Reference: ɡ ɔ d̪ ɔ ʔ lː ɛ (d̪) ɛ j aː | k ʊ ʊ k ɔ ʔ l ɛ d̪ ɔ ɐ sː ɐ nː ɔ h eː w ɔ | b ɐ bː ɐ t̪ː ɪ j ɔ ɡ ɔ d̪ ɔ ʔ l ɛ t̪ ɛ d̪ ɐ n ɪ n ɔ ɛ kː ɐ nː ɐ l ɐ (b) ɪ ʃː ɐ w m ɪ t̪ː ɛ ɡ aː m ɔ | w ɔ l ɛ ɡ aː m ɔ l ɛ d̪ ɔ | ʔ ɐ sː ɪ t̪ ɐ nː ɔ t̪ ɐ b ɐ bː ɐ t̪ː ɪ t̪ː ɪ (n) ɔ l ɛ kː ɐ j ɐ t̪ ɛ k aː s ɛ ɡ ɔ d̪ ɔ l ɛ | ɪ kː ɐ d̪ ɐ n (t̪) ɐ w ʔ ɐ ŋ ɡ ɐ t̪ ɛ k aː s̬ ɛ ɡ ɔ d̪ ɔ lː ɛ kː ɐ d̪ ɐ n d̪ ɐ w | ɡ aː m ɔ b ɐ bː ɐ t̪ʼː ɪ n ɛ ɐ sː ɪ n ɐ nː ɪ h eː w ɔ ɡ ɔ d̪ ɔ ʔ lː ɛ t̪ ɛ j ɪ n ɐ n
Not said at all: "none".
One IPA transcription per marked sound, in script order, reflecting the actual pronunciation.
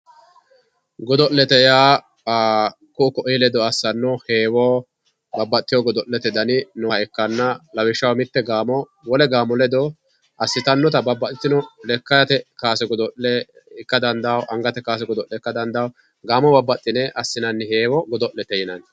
t̪, w, n, d̪

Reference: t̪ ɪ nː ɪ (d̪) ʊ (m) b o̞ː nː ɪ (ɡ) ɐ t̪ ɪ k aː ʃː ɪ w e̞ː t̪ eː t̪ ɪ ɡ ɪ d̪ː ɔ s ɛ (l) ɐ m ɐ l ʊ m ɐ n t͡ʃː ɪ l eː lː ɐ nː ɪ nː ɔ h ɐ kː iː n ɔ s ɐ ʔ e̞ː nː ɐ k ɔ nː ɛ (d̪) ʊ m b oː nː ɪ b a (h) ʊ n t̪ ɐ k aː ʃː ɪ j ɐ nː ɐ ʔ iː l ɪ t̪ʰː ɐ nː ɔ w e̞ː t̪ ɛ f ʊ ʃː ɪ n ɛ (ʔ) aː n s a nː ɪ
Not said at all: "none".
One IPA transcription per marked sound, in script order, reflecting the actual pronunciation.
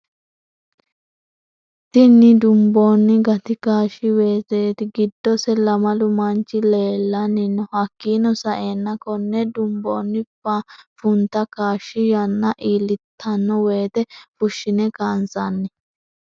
d̪, m, ɡ, l, d̪, f, k

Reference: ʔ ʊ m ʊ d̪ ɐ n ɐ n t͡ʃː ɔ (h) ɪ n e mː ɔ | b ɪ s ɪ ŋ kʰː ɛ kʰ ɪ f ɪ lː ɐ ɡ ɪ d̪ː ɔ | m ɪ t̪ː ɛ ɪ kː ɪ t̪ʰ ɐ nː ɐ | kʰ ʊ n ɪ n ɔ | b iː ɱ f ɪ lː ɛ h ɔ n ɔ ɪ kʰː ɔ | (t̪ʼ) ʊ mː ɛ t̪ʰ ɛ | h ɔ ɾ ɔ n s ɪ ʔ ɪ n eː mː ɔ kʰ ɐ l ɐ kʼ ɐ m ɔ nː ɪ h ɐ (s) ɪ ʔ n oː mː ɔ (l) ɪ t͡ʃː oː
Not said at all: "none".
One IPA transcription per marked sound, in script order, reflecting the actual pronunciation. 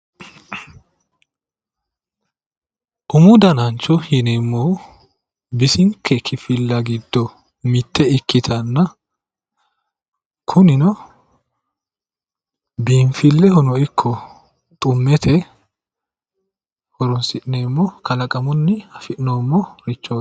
h, t̪ʼ, f, ɾ

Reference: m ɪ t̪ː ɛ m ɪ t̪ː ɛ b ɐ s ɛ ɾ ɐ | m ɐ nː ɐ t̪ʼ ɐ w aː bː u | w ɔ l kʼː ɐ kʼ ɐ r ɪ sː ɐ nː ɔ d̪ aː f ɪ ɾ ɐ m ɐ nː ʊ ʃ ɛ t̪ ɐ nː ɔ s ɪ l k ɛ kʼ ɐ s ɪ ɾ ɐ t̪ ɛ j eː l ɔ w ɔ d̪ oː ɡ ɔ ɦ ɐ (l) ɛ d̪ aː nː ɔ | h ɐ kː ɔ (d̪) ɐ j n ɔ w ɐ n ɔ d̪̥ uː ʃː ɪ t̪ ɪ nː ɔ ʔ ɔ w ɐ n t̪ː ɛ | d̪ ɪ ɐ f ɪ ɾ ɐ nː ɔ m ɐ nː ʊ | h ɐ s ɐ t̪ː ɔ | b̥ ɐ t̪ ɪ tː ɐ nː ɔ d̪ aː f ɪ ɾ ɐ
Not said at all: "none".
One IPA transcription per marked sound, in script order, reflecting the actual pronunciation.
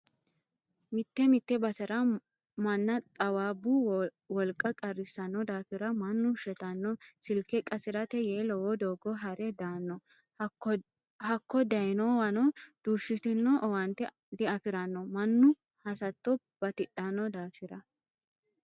ɾ, d̪

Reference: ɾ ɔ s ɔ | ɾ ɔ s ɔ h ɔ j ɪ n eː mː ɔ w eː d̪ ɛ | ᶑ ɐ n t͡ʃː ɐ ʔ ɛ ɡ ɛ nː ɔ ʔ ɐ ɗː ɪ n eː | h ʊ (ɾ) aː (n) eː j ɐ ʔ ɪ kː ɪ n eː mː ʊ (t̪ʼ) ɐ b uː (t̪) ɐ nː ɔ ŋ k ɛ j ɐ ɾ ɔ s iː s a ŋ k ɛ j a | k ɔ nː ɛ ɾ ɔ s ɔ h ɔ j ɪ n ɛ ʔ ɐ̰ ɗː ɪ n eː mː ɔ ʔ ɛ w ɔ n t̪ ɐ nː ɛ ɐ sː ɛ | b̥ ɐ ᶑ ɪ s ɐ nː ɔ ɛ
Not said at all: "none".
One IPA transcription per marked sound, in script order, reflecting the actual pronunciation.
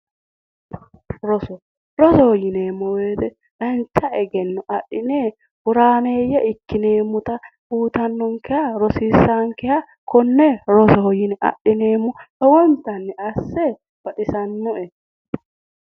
ɾ, n, t̪, t̪

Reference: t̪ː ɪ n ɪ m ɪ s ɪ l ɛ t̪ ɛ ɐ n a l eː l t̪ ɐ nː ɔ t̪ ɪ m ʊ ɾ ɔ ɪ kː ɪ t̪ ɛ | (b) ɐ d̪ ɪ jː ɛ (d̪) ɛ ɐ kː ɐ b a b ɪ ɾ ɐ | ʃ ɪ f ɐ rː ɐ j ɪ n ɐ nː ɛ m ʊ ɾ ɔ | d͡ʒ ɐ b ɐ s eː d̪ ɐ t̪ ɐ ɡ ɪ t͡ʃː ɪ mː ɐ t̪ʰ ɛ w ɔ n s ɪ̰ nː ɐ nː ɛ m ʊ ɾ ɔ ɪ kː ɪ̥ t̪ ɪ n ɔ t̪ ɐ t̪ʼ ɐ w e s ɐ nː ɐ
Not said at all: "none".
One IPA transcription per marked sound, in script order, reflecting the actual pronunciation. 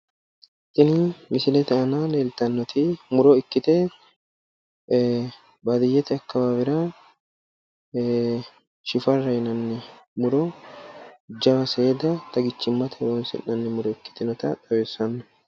b, t̪

